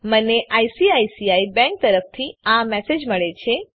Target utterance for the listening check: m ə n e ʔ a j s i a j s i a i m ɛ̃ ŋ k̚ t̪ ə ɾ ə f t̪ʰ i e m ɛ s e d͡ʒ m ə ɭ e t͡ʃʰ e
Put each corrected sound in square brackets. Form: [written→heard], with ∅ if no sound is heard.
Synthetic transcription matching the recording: m ə n e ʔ a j s i a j s i a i [m→b] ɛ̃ ŋ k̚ t̪ ə ɾ ə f t̪ʰ i [e→a] m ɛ s e d͡ʒ m ə ɭ e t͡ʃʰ e